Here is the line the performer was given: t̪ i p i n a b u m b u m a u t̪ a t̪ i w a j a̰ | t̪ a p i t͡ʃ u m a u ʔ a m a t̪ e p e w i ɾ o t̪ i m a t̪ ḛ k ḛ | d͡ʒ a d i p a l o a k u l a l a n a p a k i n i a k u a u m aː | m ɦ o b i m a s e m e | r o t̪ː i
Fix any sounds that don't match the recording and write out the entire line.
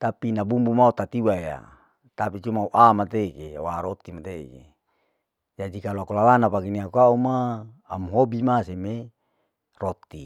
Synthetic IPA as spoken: t̪ a p i n a b u m b u m a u t̪ a t̪ i w a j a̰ | t̪ a p i t͡ʃ u m a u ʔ a m a t̪ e k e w a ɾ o t̪ i m a t̪ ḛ k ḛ | d͡ʒ a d i k a l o a k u l a l a n a p a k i n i a k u a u m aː | m ɦ o b i m a s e m e | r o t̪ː i